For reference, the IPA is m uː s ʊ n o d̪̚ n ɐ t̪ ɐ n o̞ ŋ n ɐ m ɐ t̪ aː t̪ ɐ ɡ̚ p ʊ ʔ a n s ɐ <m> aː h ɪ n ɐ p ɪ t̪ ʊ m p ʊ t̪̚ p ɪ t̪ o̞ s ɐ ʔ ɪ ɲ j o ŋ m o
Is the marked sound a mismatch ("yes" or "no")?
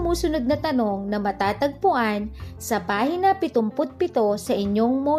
yes